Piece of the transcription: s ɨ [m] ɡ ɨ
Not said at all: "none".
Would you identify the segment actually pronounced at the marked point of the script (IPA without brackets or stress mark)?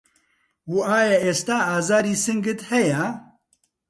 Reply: ŋ